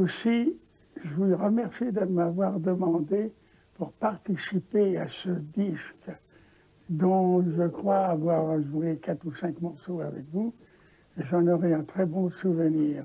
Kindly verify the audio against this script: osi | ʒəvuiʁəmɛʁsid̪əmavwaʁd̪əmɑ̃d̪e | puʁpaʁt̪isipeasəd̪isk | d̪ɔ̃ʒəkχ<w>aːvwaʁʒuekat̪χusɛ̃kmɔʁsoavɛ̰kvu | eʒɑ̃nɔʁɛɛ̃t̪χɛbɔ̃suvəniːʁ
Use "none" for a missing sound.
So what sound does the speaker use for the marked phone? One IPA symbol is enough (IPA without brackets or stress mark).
w